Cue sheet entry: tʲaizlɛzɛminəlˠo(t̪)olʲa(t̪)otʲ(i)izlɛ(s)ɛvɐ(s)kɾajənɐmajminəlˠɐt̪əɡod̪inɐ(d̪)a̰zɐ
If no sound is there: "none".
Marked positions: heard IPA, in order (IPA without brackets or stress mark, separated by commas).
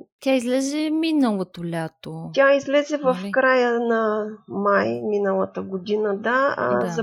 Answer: t̪, t̪, a, z, f, d̪